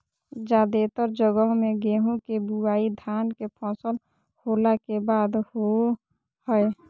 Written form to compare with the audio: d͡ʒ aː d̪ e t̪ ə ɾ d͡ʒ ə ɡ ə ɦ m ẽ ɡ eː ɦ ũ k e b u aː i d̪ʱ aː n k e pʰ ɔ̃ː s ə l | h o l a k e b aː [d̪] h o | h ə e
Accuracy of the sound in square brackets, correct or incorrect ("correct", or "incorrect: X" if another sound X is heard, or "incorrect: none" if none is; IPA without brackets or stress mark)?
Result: correct